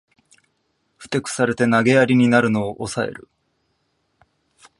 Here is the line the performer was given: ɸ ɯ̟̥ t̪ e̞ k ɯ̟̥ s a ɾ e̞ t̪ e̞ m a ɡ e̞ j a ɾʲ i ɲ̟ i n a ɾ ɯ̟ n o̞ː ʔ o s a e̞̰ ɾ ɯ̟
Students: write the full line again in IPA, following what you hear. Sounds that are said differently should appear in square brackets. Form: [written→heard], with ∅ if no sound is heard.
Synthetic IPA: ɸ ɯ̟̥ t̪ e̞ k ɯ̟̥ s a ɾ e̞ t̪ e̞ [m→n] a ɡ e̞ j a ɾʲ i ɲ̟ i n a ɾ ɯ̟ n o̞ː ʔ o s a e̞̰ ɾ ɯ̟